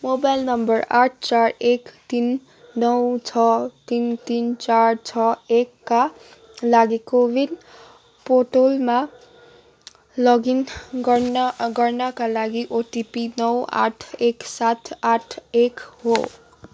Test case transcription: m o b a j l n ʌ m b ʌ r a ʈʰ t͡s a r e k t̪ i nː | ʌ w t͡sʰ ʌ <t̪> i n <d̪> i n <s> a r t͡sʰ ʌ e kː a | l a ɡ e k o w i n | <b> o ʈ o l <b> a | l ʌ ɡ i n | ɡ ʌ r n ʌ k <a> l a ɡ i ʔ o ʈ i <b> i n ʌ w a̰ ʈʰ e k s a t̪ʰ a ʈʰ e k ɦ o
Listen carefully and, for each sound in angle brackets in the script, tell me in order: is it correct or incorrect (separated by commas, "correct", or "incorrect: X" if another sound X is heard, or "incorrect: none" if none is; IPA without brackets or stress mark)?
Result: correct, incorrect: t̪, incorrect: t͡s, incorrect: p, incorrect: m, correct, incorrect: p